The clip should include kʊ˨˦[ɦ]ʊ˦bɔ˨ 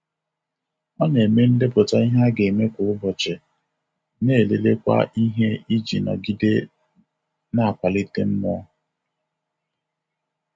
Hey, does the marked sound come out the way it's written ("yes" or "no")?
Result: no